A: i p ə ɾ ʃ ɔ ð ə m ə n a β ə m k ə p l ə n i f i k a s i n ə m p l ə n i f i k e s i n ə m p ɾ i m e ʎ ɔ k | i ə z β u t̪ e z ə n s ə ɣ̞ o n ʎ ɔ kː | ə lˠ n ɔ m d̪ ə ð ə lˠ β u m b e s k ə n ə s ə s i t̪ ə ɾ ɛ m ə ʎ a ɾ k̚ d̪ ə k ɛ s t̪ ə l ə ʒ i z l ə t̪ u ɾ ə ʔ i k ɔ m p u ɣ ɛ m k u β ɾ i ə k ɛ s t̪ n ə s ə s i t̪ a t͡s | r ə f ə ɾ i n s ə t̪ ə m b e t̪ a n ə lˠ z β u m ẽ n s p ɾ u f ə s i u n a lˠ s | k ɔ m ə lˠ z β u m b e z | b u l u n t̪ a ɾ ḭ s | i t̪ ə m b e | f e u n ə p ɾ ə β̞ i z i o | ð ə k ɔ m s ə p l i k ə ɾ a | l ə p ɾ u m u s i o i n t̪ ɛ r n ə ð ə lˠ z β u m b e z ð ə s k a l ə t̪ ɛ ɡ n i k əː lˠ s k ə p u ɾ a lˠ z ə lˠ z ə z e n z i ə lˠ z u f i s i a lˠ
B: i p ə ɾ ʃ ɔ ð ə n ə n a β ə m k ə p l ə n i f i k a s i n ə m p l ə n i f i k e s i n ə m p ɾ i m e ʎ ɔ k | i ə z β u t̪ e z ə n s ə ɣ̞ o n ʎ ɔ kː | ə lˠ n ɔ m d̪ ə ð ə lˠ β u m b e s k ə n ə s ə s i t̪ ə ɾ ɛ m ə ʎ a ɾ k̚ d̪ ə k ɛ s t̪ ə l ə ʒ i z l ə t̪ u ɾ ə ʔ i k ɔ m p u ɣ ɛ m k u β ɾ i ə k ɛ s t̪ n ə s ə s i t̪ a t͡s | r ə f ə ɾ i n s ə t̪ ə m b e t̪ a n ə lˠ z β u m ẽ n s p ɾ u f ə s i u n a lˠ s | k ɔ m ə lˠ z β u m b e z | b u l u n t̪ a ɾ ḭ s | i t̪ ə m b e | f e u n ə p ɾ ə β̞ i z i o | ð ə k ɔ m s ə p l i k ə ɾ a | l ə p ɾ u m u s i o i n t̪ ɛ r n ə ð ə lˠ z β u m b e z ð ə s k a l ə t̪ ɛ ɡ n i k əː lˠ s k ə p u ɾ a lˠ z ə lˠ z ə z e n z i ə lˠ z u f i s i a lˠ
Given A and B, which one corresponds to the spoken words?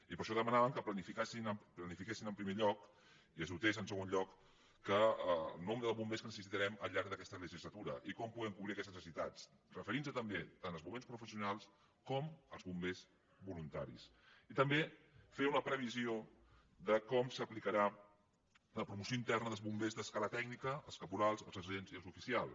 A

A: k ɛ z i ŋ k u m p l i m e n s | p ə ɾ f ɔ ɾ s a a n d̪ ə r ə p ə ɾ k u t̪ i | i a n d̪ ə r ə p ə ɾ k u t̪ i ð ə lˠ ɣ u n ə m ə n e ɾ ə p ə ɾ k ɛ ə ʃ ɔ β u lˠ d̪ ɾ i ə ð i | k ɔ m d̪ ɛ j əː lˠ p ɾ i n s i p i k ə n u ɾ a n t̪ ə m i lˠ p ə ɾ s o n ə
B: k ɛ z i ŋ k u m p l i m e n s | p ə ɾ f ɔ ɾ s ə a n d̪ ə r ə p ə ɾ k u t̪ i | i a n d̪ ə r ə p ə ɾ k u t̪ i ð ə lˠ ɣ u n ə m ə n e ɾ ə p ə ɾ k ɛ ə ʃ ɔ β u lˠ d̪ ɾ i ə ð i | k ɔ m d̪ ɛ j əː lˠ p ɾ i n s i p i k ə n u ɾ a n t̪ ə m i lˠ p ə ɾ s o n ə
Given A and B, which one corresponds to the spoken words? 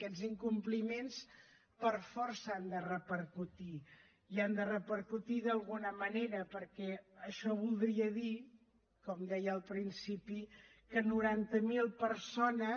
B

